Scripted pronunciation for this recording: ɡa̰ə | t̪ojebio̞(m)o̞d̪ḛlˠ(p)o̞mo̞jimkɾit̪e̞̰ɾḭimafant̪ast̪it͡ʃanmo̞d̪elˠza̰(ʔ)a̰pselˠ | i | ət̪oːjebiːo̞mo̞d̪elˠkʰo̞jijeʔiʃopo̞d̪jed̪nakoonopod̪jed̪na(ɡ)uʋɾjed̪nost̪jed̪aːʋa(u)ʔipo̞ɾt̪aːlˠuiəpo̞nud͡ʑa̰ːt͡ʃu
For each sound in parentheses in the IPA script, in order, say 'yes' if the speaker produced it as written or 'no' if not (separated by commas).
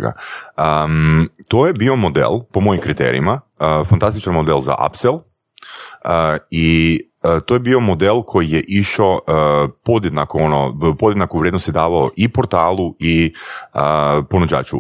yes, yes, yes, no, no